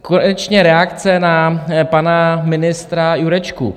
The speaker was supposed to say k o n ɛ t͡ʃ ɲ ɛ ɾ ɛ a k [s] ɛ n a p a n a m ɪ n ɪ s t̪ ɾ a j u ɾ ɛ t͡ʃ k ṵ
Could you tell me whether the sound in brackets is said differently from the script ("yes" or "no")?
yes